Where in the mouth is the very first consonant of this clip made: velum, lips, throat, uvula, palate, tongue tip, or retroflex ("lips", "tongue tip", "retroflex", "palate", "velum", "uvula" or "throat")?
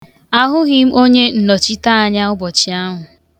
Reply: throat